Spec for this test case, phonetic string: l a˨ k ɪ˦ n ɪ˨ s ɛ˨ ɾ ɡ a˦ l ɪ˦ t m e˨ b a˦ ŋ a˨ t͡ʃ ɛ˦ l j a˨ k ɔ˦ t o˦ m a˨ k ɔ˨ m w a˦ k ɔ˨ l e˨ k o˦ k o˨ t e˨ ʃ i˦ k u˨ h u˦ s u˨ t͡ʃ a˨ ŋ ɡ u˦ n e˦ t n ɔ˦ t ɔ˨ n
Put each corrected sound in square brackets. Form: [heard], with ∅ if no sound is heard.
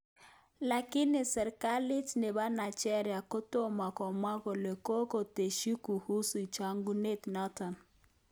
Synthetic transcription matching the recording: l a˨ k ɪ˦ n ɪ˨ s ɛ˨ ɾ [k] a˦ l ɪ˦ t [n] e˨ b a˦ [n] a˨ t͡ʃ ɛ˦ [ɾ] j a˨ k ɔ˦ t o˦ m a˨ k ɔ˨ m w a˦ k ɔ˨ l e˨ k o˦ k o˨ t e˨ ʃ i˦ k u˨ h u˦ s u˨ t͡ʃ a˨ ŋ ɡ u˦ n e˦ t n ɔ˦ t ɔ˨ n